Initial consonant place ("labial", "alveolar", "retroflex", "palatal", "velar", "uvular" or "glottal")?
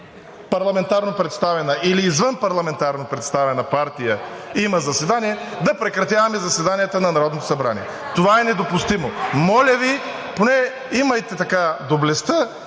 labial